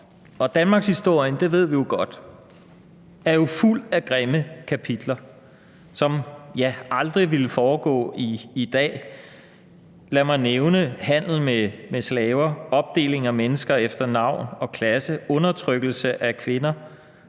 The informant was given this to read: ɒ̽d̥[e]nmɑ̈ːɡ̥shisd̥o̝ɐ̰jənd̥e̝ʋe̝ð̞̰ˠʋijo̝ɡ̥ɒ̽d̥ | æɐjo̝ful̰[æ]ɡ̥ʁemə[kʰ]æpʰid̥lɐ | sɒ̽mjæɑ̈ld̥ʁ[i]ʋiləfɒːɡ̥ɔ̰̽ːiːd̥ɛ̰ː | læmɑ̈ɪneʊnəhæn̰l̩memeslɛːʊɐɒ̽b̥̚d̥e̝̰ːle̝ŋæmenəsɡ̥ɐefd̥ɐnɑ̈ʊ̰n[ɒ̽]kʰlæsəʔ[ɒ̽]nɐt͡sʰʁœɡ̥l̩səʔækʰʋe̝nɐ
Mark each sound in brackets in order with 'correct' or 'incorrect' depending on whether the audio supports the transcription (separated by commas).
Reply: incorrect, correct, correct, correct, correct, incorrect